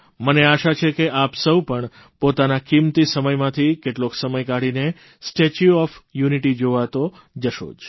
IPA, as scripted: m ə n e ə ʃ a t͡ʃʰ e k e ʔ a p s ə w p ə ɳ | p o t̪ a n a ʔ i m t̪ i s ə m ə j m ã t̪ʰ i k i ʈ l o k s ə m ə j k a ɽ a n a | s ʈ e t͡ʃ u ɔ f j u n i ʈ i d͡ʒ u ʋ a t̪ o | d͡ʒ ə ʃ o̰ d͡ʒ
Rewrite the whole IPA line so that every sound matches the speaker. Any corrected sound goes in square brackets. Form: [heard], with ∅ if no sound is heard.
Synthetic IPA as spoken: m ə n e [a] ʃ a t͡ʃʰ e k e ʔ a p s ə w p ə ɳ | p o t̪ a n a [k] i m t̪ i s ə m ə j m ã t̪ʰ i k [e] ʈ l o k s ə m ə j k a ɽ [i] n [e] | s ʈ e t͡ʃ u ɔ f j u n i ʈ i d͡ʒ [o] ʋ a t̪ o | d͡ʒ ə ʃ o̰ d͡ʒ